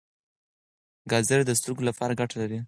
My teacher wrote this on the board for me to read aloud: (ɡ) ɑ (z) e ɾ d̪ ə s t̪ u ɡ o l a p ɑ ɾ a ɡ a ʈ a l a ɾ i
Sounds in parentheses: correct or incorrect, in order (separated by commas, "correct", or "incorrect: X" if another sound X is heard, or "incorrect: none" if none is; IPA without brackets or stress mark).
correct, correct